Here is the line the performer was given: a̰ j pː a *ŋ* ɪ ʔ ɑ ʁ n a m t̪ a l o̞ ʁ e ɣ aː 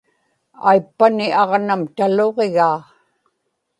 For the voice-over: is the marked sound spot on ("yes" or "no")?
no